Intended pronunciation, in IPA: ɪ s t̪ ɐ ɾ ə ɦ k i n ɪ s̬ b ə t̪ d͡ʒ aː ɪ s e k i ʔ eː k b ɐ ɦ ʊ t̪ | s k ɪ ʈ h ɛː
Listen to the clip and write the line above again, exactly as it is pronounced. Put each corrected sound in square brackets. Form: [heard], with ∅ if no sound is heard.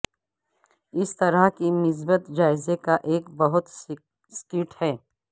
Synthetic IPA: ɪ s t̪ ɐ ɾ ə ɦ k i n ɪ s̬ b ə t̪ d͡ʒ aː ɪ [z] e k [a] ʔ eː k b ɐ ɦ ʊ t̪ | s k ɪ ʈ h ɛː